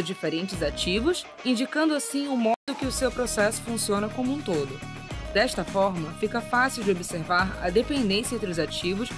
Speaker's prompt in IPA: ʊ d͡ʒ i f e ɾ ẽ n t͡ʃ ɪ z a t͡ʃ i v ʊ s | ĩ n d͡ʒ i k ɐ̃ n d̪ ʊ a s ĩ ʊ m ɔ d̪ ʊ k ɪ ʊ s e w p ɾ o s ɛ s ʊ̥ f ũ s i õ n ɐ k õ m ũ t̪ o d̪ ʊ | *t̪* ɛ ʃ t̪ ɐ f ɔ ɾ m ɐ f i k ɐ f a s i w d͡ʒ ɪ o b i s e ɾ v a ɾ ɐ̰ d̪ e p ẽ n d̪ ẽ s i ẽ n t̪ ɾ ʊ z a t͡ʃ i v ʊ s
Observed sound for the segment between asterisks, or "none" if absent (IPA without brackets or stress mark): d̪